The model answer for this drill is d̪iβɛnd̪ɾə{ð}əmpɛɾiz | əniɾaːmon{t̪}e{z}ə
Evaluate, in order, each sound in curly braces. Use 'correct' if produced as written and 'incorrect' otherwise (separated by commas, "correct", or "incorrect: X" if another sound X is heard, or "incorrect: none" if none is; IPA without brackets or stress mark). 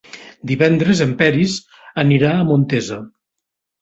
incorrect: z, correct, correct